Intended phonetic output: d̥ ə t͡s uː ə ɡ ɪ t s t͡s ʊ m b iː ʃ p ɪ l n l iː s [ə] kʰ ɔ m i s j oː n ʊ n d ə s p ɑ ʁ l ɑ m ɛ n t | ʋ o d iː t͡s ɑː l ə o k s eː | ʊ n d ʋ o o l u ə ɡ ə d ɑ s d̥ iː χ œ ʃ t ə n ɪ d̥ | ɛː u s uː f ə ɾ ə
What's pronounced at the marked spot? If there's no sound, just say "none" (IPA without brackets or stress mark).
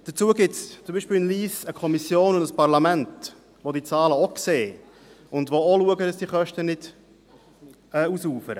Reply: ə